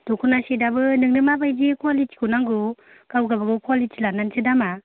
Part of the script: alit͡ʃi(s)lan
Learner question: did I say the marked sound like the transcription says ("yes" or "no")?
no